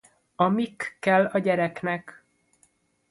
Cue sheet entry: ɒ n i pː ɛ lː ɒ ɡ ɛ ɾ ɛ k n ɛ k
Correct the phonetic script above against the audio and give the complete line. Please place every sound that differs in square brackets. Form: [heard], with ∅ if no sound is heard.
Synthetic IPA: ɒ [m] i [kː] ɛ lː ɒ [ɟ] ɛ ɾ ɛ k n ɛ k